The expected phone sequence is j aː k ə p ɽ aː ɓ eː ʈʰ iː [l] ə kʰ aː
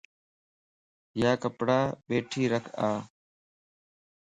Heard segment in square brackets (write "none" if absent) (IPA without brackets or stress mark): ɾ